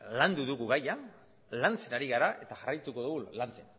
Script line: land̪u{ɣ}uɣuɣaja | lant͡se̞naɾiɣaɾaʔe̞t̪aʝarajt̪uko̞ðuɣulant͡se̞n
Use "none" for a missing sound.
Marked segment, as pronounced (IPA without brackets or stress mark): ð